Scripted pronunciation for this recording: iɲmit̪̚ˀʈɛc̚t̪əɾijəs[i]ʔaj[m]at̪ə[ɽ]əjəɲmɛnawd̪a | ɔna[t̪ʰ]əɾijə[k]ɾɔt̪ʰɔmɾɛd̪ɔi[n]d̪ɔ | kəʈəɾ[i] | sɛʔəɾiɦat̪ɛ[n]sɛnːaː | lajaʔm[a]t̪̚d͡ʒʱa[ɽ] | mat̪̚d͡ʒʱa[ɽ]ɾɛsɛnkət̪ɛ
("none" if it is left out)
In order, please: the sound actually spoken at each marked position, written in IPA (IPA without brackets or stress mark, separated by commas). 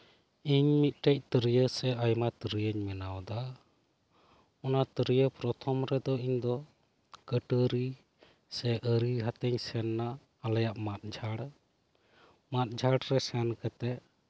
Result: ɛ, m, ɾ, t̪, p, ɲ, i, ɲ, a, ɽ, ɽ